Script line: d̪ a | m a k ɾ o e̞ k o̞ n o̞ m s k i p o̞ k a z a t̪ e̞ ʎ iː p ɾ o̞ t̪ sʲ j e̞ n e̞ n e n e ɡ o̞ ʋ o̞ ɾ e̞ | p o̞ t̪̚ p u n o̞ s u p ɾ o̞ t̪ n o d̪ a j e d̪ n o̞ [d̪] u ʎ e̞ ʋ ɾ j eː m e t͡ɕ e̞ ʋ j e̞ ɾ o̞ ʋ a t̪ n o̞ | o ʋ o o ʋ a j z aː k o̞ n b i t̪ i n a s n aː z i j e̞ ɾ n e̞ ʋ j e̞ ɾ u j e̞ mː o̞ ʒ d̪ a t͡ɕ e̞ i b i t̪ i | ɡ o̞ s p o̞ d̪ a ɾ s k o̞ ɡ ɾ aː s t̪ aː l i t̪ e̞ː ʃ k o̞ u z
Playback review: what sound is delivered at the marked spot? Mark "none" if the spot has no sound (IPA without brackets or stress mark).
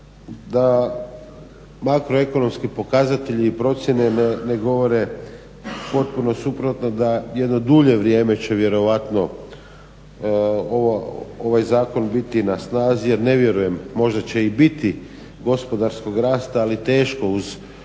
d̪